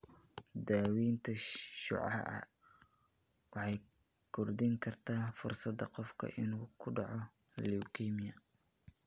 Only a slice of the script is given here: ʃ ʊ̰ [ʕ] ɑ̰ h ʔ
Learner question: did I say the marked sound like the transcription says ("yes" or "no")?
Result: yes